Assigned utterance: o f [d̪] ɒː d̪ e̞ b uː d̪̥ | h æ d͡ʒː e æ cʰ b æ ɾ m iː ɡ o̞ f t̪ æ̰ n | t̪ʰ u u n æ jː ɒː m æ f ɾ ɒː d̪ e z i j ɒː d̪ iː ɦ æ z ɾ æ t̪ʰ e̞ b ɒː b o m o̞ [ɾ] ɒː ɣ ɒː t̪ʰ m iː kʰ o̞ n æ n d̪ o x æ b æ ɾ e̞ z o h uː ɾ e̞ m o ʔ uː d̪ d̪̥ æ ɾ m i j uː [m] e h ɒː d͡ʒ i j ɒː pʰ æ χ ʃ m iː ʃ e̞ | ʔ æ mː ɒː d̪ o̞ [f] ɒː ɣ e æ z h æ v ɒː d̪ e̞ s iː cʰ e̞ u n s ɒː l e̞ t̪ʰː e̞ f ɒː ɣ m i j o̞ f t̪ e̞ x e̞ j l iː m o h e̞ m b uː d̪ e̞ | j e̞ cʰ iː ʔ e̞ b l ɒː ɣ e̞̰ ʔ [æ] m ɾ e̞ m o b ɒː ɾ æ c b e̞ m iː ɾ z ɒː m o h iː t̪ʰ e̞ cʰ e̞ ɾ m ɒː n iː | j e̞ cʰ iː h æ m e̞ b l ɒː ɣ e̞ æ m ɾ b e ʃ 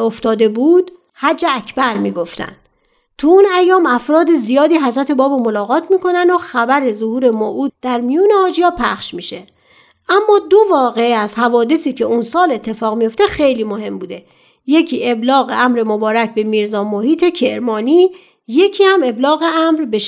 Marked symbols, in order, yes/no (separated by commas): no, no, no, no, yes